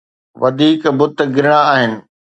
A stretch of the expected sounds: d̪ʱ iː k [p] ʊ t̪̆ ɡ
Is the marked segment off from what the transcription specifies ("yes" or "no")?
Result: yes